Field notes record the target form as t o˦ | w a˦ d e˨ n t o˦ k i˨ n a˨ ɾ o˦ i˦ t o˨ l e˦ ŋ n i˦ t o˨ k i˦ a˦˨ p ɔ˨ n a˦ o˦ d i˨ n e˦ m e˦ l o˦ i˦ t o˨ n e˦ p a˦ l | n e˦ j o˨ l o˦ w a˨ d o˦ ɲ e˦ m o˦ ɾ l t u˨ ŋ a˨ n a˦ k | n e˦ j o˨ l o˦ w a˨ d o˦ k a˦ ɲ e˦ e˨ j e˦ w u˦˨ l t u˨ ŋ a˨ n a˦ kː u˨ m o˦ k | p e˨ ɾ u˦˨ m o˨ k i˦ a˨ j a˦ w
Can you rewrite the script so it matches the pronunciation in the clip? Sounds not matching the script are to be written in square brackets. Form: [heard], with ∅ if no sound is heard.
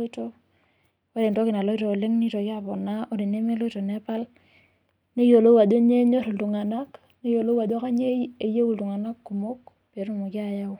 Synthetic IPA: t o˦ | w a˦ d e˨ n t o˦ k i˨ n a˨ [l] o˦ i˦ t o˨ l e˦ ŋ n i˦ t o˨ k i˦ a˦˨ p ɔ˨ n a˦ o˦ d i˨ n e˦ m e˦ l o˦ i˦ t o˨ n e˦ p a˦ l | n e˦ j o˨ l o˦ w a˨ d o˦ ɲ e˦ [ɲ] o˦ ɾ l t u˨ ŋ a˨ n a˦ k | n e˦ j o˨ l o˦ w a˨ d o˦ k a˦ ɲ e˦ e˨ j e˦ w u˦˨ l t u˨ ŋ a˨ n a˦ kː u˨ m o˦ k | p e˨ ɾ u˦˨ m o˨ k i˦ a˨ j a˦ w